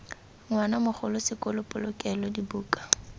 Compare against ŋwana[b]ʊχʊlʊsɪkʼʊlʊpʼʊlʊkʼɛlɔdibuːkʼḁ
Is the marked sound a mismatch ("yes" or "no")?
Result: yes